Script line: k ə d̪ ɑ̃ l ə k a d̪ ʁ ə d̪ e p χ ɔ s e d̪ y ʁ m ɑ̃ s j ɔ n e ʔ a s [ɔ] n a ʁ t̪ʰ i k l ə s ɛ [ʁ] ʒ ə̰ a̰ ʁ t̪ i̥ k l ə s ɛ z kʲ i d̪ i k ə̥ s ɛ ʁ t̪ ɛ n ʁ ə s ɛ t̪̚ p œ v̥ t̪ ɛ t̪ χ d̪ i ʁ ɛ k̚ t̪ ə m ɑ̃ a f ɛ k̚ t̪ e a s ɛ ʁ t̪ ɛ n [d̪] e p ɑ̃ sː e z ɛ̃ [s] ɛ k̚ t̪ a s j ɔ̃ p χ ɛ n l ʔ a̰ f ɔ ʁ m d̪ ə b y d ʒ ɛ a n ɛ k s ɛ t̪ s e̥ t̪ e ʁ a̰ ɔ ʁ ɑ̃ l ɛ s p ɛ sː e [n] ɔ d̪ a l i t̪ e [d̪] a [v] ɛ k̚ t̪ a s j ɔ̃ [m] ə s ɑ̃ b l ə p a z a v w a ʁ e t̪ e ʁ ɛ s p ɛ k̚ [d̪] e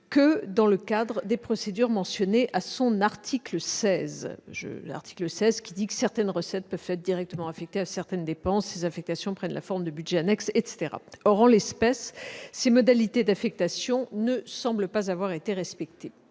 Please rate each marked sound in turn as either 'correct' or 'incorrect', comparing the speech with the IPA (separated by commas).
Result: incorrect, incorrect, correct, incorrect, incorrect, correct, incorrect, incorrect, incorrect